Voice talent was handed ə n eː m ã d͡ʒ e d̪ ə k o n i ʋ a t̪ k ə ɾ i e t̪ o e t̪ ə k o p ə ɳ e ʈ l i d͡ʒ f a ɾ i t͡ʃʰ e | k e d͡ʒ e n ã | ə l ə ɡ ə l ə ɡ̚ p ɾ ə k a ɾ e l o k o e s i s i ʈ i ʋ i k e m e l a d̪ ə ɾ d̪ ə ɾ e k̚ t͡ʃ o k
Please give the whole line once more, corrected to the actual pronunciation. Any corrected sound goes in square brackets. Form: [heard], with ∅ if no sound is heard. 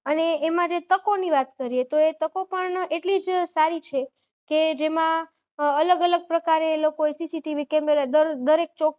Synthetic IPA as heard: ə n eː m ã d͡ʒ e [t̪] ə k o n i ʋ a t̪ k ə ɾ i e t̪ o e t̪ ə k o p ə ɳ e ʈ l i d͡ʒ [s] a ɾ i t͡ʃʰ e | k e d͡ʒ e [m] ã | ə l ə ɡ ə l ə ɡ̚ p ɾ ə k a ɾ e l o k o e s i s i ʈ i ʋ i k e m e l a d̪ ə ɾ d̪ ə ɾ e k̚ t͡ʃ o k